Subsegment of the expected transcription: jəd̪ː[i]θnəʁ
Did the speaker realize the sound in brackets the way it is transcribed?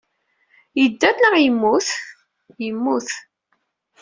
no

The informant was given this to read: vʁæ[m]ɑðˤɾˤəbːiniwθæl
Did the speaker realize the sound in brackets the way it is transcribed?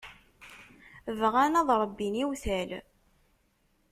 no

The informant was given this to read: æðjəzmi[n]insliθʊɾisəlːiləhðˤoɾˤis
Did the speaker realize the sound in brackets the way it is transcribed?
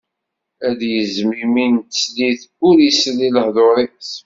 no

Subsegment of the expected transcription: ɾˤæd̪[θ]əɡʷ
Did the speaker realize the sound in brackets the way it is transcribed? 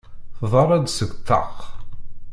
no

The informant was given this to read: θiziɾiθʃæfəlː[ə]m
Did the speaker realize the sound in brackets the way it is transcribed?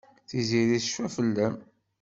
yes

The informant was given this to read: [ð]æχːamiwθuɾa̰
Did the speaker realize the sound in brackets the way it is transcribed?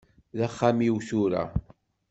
yes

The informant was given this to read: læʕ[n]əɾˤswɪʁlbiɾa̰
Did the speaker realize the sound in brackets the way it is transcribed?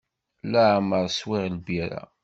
no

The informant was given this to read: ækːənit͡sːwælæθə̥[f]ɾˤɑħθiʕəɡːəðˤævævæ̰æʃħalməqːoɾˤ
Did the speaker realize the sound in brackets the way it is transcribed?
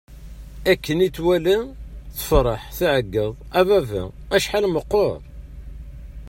yes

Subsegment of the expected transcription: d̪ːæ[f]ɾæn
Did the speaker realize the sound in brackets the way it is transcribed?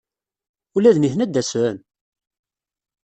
no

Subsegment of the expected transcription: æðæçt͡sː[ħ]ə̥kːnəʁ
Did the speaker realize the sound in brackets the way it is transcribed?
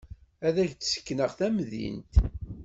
no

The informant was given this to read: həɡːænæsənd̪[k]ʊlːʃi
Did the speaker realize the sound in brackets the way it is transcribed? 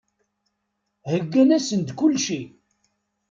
yes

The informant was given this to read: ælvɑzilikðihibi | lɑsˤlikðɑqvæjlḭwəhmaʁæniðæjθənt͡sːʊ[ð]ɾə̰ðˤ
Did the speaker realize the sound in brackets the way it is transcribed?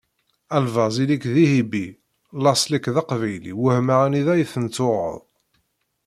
no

